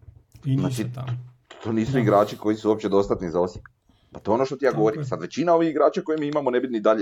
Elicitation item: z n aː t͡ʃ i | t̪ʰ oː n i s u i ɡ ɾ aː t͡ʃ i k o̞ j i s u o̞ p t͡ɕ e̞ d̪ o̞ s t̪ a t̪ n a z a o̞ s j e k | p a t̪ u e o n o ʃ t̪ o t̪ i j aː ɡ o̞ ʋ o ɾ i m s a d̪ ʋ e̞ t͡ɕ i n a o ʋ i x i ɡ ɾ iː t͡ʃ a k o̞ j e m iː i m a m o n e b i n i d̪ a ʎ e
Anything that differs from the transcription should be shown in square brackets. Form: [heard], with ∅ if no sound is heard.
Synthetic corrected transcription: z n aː t͡ʃ i | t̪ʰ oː n [iː] s u i ɡ ɾ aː t͡ʃ i k o̞ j i s u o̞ p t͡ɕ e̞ d̪ o̞ s t̪ a t̪ n [i] z a o̞ s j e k | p a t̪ [o] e o n o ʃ t̪ o t̪ i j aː ɡ o̞ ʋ o ɾ i m s a d̪ ʋ e̞ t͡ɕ i n a o ʋ i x i ɡ ɾ [aː] t͡ʃ a k o̞ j e m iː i m a m o n e b i n i d̪ a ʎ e